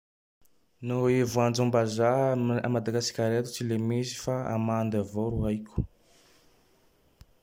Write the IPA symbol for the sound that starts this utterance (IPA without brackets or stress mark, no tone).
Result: n